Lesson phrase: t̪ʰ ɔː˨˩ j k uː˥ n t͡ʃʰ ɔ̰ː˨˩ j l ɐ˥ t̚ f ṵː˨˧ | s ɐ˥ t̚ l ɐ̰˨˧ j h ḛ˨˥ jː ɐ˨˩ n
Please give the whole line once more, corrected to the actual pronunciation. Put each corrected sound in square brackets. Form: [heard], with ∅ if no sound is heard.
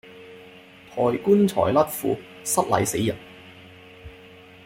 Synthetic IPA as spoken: t̪ʰ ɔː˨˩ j k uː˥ n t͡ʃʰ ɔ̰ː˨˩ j l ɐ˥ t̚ f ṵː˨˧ | s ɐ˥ t̚ l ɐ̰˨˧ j [s] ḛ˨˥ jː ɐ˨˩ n